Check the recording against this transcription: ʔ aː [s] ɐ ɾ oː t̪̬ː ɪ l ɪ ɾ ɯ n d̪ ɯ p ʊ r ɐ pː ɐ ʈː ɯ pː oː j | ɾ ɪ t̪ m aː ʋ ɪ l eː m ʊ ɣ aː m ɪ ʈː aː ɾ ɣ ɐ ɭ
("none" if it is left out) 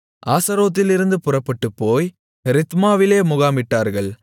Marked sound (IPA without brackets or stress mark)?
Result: s